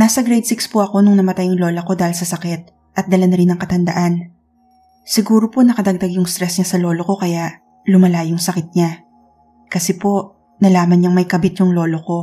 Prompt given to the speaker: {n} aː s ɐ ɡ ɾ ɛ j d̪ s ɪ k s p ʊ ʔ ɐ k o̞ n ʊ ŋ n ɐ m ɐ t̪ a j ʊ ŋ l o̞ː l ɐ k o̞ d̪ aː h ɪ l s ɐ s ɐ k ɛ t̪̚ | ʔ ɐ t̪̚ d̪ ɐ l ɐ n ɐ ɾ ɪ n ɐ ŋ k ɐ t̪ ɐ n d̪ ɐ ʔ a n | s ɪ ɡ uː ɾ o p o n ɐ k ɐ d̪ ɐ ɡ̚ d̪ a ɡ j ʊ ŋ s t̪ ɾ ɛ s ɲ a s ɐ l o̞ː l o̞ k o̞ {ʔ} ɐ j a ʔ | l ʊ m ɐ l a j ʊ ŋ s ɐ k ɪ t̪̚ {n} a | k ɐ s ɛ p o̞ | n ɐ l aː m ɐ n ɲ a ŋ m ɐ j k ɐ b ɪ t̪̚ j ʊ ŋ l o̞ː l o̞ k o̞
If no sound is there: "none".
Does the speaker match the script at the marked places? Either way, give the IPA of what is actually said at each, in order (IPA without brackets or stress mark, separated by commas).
n, k, ɲ